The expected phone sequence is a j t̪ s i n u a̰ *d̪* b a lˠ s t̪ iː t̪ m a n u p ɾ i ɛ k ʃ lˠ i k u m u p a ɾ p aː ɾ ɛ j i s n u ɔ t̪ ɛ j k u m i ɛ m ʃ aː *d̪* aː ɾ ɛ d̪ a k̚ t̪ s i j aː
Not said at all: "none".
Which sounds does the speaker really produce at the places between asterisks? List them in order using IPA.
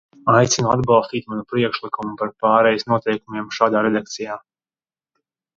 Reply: d̪, d̪

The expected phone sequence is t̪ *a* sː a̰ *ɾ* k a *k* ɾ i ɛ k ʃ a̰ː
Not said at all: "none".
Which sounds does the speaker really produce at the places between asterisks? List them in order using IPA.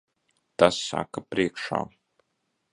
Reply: a, none, p

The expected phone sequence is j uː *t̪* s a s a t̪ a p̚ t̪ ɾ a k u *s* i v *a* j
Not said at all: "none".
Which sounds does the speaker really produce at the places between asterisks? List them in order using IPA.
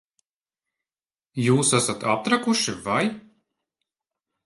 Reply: none, ʃ, a

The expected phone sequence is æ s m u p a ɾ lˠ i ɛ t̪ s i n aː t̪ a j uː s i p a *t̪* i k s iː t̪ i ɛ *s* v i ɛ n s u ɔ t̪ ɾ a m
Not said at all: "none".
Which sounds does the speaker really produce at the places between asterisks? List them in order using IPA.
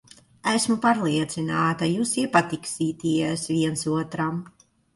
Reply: t̪, s

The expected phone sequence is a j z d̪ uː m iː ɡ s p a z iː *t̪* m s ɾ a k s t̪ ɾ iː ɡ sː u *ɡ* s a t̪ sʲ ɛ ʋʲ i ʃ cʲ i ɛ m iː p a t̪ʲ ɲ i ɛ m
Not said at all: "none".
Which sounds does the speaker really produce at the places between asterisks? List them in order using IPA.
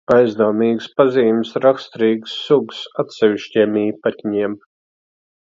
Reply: none, ɡ

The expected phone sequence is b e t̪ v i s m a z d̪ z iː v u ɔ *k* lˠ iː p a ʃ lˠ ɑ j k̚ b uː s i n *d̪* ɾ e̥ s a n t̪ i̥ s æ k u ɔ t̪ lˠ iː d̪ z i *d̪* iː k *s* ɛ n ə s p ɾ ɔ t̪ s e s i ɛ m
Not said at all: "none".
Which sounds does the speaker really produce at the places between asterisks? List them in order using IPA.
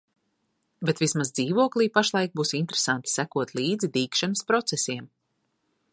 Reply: k, t̪, d̪, ʃ

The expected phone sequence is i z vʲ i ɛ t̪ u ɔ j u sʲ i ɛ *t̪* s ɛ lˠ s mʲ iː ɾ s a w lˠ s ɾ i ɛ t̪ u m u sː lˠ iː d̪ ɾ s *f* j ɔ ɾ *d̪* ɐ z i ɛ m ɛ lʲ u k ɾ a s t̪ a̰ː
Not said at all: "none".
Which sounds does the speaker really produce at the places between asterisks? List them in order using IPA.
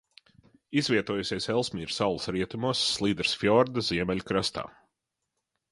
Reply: none, f, d̪

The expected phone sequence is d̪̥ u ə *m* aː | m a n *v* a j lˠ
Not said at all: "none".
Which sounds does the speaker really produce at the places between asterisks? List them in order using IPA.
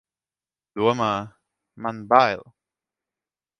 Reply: m, b

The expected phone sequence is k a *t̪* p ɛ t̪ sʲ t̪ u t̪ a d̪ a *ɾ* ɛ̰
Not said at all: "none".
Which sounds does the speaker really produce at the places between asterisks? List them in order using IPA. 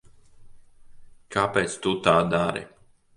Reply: none, ɾ

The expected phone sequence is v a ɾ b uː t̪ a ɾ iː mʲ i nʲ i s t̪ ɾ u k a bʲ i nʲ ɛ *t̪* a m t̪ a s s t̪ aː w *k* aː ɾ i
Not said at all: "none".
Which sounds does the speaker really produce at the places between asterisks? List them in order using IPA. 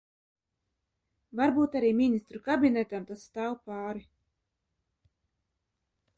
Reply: t̪, p

